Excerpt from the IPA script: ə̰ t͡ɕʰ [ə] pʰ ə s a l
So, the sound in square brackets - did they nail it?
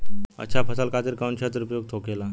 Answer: no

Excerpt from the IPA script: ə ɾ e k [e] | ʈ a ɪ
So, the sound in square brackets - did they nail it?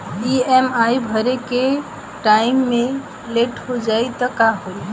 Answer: yes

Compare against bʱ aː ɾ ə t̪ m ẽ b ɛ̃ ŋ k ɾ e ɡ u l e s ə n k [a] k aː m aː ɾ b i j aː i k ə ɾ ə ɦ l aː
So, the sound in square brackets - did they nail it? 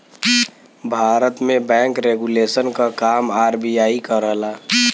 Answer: yes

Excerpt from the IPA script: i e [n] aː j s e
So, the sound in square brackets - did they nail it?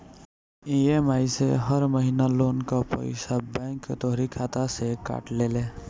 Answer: no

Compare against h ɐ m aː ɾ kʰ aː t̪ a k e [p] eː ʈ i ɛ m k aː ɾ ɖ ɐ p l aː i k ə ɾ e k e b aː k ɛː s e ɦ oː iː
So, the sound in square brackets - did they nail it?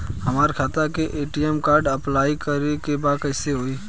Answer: no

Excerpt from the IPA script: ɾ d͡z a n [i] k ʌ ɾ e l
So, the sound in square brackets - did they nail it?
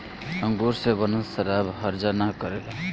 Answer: no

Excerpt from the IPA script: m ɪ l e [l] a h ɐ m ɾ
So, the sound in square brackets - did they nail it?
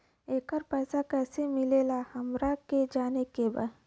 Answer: yes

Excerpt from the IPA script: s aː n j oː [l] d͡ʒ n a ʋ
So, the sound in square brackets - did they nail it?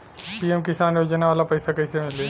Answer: no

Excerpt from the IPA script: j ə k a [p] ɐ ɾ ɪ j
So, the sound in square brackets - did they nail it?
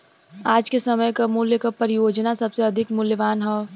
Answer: yes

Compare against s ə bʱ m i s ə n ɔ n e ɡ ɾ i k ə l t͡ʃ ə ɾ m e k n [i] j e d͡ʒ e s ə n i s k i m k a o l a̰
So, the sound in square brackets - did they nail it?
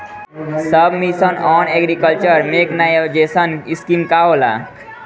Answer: no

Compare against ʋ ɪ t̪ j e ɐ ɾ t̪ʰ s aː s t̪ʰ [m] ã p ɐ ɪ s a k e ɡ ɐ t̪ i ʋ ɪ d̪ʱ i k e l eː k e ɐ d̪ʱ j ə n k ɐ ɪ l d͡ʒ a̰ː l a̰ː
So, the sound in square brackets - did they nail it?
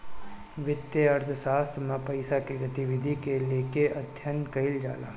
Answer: yes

